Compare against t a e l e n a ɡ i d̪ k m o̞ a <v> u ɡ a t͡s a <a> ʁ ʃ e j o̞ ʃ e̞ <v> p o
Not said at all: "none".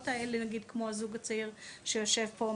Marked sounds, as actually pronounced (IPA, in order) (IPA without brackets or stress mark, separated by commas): z, i, v